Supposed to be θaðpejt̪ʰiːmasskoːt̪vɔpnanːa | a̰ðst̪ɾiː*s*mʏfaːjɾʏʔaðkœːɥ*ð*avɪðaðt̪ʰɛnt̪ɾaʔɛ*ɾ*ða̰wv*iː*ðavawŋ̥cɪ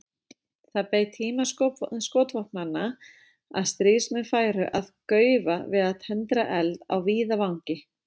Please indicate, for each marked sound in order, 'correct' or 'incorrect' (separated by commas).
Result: correct, incorrect, incorrect, correct